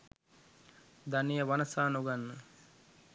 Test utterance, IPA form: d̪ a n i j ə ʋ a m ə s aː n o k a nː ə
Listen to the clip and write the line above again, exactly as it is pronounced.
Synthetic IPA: d̪ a n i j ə ʋ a n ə s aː n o ɡ a nː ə

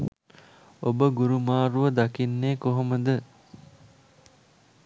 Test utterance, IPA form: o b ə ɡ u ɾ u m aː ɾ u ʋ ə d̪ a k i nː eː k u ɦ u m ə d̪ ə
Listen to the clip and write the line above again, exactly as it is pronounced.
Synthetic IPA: o b ə ɡ u ɾ u m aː ɾ u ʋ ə d̪ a k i nː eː k o ɦ o m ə d̪ ə

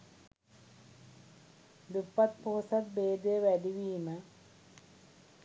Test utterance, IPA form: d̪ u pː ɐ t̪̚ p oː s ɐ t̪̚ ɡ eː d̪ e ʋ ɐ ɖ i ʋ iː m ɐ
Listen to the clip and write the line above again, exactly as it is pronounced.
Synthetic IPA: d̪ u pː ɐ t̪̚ p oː s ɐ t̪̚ b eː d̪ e ʋ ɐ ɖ i ʋ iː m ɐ

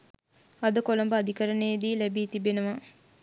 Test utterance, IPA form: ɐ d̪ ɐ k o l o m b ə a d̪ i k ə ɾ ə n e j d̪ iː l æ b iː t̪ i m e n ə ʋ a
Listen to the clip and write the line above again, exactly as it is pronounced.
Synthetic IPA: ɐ d̪ ə k o l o m b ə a d̪ i k ə ɾ ə n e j d̪ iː l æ b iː t̪ i b e n ə ʋ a

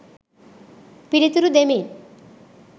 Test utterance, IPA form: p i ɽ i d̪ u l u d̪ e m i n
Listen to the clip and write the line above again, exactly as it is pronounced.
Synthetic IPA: p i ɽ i t̪ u ɾ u d̪ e m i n

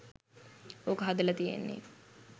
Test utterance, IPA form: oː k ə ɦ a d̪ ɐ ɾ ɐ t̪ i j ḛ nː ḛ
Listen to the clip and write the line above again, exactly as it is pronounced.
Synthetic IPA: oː k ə ɦ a d̪ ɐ l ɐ t̪ i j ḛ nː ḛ

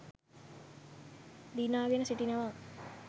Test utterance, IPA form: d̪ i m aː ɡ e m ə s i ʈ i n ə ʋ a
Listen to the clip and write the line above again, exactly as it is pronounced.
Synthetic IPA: d̪ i n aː ɡ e n ə s i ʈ i n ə ʋ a

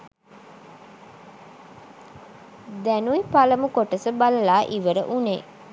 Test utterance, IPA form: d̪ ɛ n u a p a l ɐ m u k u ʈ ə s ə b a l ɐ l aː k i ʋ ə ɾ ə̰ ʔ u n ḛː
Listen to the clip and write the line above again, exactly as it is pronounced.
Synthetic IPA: d̪ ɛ n u i p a l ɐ m u k o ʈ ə s ə b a l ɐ l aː ʔ i ʋ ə ɾ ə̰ ʔ u n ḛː

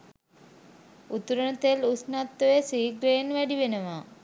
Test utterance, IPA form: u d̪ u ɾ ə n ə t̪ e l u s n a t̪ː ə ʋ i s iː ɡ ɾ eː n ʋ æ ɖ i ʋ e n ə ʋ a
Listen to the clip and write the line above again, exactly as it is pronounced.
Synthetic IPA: u t̪ u ɾ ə n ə t̪ e l u s n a t̪ː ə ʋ e s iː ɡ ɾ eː n ʋ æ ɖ i ʋ e n ə ʋ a

